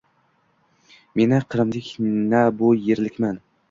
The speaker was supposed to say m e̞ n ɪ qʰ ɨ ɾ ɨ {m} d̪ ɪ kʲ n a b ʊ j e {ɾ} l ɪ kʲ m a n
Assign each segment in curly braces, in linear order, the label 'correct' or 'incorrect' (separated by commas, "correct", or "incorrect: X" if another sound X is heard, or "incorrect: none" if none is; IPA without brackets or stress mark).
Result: correct, correct